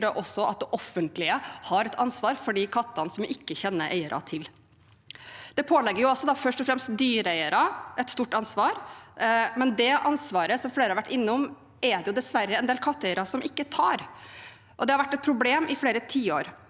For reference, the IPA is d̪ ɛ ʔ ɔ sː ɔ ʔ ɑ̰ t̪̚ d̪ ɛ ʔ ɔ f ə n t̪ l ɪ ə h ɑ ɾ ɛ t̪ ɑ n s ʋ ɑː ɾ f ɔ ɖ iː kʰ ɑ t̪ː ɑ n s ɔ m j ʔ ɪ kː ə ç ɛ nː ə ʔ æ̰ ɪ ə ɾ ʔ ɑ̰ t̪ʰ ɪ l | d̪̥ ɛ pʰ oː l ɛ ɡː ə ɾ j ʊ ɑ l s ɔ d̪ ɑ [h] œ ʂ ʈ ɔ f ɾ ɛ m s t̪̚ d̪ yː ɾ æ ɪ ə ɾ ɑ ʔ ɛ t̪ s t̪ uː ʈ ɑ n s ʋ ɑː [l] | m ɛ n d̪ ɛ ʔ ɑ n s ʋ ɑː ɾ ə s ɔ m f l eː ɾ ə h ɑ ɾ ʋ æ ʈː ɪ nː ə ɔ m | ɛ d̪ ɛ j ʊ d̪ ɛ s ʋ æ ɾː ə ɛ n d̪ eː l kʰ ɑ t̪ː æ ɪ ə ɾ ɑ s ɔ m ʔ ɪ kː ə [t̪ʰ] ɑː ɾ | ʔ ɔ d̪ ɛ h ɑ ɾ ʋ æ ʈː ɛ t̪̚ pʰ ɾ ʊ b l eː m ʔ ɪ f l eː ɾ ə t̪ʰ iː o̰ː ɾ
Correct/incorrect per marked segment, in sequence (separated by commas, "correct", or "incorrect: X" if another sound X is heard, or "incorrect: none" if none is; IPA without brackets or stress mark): incorrect: f, incorrect: ɾ, correct